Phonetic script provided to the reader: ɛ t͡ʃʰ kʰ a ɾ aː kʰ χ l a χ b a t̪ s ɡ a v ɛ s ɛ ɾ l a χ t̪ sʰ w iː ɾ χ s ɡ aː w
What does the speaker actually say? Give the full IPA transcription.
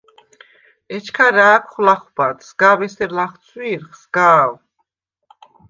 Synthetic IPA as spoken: ɛ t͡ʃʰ kʰ a ɾ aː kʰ χ l a χ b a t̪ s ɡ a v ɛ s ɛ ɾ l a χ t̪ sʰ w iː ɾ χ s ɡ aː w